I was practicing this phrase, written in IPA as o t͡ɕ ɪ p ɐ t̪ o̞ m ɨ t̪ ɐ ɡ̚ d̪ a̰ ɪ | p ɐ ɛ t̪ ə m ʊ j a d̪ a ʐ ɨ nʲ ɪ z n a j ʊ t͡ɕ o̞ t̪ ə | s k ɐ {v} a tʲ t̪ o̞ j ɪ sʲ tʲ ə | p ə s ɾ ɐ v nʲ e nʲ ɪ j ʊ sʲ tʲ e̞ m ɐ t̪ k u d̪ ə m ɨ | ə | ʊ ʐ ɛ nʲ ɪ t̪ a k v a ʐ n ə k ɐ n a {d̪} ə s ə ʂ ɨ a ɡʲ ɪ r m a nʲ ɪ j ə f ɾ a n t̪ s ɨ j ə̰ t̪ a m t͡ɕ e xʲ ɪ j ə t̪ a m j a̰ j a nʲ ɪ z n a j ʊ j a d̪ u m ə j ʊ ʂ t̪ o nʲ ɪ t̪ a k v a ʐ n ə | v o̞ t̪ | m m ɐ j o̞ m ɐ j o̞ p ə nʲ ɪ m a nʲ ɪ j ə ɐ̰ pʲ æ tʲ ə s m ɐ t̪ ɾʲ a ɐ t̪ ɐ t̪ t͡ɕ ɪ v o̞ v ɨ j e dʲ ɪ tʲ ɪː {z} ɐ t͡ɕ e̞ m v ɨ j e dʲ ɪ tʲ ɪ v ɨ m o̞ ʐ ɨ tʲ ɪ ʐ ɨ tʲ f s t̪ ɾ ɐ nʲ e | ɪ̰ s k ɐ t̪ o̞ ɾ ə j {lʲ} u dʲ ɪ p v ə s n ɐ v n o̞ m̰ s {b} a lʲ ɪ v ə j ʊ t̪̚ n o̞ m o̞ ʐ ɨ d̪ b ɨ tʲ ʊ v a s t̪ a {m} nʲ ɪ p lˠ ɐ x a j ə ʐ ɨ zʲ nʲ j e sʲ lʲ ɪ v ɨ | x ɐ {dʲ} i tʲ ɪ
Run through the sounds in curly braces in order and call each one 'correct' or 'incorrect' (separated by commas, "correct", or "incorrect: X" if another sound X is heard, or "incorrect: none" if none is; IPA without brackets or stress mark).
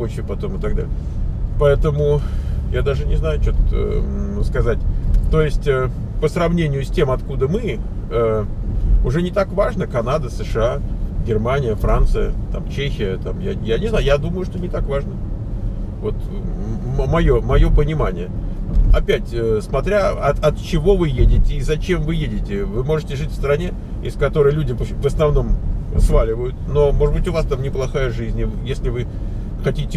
incorrect: z, correct, correct, correct, incorrect: v, correct, incorrect: tʲ